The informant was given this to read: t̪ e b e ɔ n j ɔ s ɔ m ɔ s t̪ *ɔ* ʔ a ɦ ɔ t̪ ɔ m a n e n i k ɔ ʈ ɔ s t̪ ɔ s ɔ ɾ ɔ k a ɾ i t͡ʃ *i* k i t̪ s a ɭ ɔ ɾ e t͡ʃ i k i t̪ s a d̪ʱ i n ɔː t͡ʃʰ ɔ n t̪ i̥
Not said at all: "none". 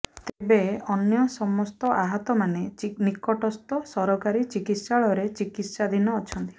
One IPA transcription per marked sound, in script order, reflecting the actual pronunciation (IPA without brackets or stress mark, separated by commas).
ɔ, i